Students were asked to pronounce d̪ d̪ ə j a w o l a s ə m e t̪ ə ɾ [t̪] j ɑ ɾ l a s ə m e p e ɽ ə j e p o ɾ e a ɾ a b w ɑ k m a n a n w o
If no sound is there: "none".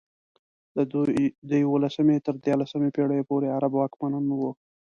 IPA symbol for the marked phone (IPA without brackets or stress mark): d̪